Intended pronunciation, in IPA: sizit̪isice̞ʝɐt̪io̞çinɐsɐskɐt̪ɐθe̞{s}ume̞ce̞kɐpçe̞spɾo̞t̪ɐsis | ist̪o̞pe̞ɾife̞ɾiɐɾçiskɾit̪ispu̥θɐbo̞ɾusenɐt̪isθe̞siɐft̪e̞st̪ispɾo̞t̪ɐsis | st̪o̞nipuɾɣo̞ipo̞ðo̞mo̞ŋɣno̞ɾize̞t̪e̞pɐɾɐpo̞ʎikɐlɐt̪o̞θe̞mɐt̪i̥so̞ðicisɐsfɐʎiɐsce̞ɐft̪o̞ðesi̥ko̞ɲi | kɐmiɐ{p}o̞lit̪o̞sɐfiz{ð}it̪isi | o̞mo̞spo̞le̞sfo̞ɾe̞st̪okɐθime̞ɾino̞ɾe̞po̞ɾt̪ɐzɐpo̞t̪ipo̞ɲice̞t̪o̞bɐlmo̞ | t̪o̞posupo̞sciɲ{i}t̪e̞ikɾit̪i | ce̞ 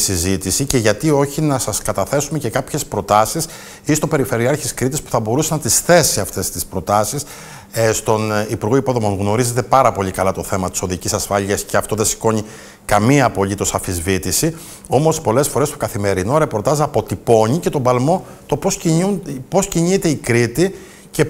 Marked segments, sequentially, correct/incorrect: correct, correct, incorrect, correct

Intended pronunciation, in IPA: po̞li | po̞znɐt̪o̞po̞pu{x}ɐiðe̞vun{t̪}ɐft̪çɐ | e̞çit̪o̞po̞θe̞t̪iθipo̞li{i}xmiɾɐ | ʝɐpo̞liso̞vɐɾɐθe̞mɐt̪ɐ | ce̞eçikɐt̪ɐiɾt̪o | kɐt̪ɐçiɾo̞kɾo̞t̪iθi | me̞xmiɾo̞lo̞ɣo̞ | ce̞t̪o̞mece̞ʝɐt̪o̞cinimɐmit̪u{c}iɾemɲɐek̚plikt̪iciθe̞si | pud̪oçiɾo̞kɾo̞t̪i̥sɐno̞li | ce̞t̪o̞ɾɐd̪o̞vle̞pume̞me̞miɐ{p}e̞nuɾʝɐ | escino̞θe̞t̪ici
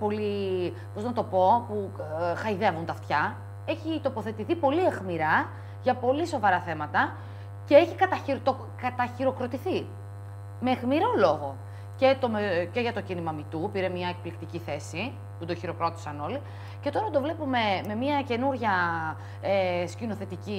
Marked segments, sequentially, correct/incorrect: correct, correct, incorrect, incorrect, incorrect

